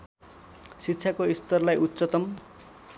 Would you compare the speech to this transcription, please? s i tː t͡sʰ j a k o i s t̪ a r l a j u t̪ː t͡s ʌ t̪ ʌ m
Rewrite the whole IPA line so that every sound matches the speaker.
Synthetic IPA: s i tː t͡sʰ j a k o i s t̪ ʌ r l a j u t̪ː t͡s ʌ t̪ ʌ m